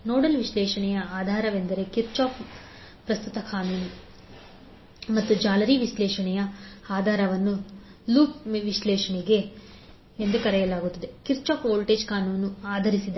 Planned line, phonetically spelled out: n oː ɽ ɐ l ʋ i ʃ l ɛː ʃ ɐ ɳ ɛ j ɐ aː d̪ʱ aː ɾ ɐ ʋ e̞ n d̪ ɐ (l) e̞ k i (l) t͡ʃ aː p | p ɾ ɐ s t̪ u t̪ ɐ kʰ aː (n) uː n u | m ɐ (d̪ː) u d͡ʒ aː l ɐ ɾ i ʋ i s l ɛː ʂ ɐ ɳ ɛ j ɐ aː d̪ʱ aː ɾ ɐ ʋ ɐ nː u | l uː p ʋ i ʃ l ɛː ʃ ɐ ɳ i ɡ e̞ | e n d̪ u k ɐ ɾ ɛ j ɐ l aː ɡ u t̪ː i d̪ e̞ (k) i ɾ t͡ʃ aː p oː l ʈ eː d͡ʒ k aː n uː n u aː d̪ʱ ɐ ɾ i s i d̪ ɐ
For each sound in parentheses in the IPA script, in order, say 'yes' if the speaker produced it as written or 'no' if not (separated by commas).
no, no, yes, no, yes